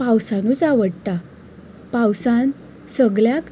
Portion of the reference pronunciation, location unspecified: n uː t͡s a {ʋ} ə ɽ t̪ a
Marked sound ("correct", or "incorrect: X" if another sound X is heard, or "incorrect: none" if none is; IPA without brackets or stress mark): correct